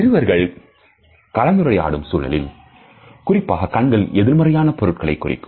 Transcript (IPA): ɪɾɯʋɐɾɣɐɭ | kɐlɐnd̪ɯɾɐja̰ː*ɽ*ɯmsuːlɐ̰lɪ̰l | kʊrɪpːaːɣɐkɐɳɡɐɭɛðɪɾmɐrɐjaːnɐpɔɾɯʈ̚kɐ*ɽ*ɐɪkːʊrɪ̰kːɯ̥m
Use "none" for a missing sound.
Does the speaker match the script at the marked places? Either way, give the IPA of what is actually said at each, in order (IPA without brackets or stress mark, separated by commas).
ɽ, ɭ